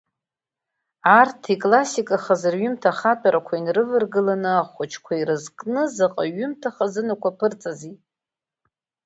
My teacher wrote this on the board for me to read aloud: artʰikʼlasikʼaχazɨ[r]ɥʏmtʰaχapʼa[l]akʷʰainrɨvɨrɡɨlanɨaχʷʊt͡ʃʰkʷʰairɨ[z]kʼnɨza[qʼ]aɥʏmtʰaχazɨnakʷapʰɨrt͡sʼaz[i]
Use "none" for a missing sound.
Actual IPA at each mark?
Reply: r, ɾ, z, qʼ, i

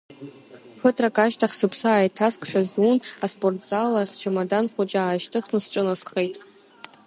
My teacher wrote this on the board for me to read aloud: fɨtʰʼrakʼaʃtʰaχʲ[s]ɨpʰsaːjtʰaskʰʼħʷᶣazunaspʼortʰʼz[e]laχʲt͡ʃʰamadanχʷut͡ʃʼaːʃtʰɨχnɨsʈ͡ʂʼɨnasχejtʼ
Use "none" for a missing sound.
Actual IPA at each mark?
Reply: s, a

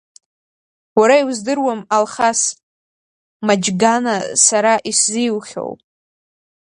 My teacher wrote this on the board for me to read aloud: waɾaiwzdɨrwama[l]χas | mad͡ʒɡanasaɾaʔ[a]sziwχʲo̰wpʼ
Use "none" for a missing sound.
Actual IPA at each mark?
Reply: l, i

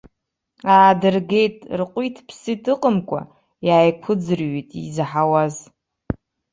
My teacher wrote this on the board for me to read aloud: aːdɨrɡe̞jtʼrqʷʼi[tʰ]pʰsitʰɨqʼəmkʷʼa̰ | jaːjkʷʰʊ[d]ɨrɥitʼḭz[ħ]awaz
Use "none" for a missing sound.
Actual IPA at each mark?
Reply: tʰ, d͡z, ħ

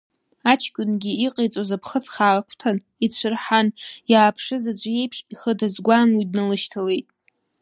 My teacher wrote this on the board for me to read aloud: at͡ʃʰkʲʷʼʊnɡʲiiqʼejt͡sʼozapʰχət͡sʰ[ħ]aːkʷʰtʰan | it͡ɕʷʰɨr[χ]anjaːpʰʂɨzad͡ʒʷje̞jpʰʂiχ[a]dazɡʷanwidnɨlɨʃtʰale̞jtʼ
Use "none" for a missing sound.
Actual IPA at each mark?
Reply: χ, ħ, ə

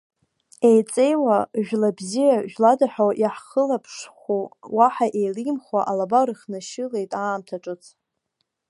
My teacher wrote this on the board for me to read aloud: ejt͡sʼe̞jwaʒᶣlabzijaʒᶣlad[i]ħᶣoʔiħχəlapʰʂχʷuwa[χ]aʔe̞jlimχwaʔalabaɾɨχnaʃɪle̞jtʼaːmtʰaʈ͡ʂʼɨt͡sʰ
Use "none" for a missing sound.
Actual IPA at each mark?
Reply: a, ħ

